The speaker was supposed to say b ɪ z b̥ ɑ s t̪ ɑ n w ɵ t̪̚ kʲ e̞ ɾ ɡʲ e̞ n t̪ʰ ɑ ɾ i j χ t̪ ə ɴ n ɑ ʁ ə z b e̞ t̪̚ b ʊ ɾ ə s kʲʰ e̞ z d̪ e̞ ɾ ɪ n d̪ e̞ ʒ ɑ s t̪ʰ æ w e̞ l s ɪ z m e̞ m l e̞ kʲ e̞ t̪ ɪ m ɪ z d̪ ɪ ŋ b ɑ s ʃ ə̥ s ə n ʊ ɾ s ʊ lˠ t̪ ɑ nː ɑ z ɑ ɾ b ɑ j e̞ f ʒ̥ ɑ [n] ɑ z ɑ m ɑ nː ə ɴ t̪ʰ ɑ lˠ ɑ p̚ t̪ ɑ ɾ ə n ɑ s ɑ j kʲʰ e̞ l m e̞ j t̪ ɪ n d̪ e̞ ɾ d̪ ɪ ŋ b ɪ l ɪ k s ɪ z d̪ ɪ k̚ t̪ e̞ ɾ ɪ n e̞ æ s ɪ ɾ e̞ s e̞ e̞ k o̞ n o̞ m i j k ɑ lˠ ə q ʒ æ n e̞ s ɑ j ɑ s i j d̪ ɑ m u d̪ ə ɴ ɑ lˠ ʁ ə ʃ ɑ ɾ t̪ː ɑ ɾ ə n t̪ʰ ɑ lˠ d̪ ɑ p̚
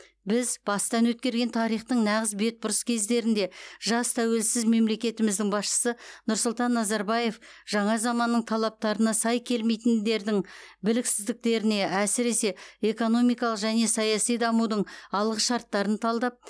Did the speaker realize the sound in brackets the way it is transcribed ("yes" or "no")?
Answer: no